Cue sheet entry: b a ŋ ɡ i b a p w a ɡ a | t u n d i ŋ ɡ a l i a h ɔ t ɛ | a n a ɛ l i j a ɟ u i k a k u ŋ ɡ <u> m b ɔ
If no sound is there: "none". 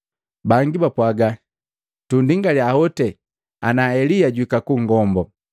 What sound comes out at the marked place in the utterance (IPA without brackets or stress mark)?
ɔ